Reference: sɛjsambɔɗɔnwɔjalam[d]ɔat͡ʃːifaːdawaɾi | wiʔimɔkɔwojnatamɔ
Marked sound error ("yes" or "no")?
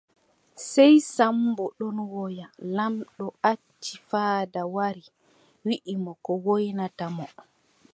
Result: yes